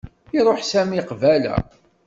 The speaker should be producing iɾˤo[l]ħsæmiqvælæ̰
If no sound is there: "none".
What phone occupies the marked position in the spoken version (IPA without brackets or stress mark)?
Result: none